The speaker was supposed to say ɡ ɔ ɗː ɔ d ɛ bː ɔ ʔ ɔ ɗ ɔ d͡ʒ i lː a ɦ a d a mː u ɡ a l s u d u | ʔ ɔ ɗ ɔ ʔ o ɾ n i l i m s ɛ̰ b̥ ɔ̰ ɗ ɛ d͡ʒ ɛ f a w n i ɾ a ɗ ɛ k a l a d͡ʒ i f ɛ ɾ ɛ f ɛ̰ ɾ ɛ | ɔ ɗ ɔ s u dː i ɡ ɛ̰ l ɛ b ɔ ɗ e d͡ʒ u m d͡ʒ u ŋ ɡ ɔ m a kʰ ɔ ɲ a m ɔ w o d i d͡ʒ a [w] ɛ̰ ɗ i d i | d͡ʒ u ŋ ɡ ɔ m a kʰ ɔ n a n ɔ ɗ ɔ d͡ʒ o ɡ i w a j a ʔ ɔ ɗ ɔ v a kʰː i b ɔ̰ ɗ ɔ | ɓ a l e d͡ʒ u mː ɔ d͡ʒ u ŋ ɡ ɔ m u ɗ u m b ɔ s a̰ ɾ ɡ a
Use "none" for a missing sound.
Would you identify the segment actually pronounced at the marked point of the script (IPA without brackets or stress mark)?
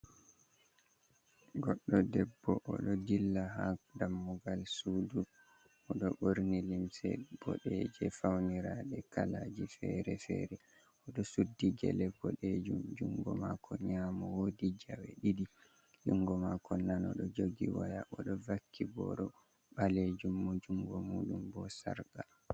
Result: w